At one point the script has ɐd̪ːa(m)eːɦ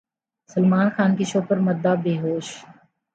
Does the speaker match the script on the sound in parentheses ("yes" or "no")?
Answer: no